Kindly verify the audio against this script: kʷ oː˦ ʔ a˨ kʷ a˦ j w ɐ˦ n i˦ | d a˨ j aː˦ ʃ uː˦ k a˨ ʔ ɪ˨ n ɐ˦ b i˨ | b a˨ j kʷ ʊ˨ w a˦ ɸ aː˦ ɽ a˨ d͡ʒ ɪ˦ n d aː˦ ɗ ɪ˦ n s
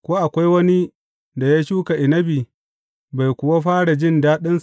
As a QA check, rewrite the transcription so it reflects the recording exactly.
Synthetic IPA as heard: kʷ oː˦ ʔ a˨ kʷ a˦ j w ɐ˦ n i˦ | d a˨ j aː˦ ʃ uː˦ k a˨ ʔ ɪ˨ n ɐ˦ b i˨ | b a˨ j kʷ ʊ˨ w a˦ ɸ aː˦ ɽ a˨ d͡ʒ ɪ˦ n d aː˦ ɗ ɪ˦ n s